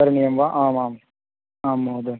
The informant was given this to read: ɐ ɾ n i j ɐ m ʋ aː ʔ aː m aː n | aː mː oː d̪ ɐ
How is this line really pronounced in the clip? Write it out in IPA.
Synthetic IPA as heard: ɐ ɾ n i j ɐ m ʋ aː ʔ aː m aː m | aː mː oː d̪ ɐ